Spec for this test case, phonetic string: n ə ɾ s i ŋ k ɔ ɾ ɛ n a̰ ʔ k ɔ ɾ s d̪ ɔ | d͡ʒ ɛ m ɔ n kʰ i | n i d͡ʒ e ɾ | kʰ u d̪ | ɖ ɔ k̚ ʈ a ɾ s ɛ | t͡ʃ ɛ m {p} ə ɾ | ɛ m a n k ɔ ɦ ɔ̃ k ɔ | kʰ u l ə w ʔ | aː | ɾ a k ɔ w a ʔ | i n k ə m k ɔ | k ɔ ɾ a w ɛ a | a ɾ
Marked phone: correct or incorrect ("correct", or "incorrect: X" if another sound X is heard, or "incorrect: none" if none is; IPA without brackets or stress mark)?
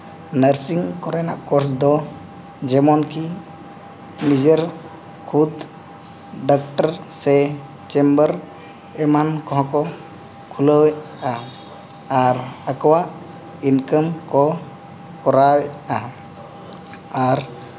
incorrect: b